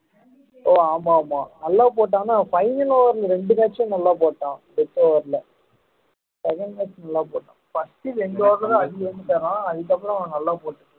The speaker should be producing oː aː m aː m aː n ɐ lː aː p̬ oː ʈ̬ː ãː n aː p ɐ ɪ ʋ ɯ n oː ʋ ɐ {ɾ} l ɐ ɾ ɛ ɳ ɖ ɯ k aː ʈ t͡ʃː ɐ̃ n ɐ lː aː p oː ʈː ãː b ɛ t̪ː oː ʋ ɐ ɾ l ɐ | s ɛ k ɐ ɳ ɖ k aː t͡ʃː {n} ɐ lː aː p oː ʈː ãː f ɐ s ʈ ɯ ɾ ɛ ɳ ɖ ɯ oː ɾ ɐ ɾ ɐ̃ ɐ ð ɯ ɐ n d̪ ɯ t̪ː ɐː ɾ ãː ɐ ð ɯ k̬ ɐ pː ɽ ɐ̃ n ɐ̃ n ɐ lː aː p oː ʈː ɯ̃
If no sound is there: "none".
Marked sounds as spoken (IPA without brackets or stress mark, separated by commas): ɾ, n